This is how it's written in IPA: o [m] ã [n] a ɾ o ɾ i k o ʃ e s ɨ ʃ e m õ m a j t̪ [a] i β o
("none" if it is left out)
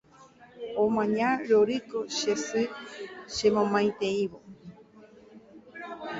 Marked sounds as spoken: m, ɲ, e

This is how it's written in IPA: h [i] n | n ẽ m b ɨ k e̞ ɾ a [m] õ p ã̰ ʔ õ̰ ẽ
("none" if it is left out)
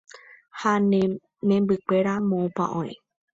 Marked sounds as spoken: a, m

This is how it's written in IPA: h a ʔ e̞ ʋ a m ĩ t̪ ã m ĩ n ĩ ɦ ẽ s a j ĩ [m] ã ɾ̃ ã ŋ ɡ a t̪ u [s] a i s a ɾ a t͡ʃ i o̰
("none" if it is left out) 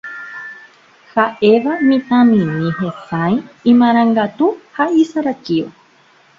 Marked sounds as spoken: m, h

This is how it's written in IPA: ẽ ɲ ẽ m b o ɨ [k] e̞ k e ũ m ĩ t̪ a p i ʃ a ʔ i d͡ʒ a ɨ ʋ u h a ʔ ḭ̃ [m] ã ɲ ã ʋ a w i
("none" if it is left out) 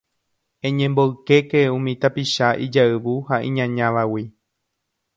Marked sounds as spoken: k, ɲ

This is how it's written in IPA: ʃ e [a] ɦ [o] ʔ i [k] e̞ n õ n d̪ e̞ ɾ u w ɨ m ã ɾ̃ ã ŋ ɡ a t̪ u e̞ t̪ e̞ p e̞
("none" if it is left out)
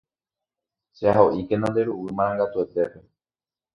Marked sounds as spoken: a, o, k

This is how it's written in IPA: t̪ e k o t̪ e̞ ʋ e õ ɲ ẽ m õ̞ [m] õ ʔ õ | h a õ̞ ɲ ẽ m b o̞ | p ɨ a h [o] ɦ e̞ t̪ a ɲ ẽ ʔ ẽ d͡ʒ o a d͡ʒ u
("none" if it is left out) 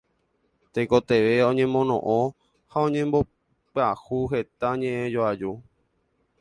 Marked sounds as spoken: n, u

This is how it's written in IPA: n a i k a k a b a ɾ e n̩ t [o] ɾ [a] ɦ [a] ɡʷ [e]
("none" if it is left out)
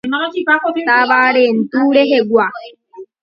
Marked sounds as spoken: u, e, e, a

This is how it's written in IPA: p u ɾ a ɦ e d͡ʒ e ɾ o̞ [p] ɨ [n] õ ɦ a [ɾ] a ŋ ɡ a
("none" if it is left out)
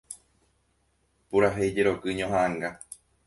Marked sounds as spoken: k, ɲ, none

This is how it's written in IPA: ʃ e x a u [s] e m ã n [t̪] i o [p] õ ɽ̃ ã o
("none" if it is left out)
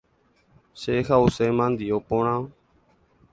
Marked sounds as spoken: s, d̪, p

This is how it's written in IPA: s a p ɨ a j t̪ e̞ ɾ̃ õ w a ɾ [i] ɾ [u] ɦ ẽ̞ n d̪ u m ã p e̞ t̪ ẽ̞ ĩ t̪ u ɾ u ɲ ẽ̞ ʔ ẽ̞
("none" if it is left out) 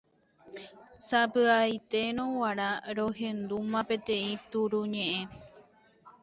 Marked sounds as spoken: a, o

